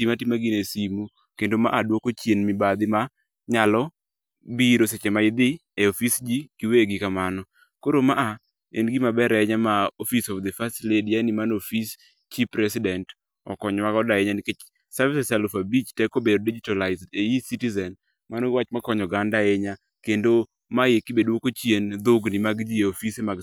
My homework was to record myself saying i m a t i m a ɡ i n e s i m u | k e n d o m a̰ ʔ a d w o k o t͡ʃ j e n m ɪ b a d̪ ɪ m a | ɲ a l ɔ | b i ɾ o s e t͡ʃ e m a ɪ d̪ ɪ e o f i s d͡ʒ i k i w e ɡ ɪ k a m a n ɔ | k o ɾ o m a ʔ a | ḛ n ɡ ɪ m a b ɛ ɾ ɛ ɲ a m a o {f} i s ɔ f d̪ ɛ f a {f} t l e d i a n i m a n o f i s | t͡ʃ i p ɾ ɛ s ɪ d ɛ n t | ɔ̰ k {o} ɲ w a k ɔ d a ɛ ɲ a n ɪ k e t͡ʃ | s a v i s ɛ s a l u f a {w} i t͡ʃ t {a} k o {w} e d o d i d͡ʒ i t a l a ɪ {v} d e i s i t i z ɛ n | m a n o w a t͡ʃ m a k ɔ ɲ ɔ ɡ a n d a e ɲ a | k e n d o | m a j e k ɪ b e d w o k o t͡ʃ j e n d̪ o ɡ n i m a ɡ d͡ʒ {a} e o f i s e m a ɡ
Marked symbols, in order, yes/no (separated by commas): yes, no, no, no, no, no, no, no